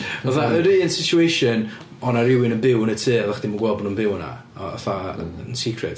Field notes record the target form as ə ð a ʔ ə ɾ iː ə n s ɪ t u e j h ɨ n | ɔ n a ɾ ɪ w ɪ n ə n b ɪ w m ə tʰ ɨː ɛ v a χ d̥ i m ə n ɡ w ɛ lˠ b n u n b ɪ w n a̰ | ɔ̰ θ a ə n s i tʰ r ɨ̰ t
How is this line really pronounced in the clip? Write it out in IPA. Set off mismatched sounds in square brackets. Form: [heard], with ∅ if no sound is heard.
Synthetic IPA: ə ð a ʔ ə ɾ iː ə n s ɪ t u e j [ʃ] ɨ n | ɔ n a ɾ ɪ w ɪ n ə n b ɪ w [n] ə tʰ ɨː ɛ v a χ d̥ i m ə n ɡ w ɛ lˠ b n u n b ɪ w n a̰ | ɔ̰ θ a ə n s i [kʰ] r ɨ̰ t